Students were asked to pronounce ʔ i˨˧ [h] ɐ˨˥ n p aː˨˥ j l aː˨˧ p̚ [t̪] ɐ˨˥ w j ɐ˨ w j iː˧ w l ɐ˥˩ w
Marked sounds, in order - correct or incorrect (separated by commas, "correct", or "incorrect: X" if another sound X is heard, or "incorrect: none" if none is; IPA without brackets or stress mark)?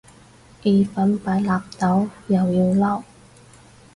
incorrect: f, correct